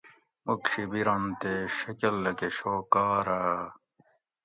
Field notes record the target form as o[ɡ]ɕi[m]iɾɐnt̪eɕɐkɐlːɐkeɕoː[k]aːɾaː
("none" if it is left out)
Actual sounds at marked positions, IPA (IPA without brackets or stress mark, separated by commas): k, b, k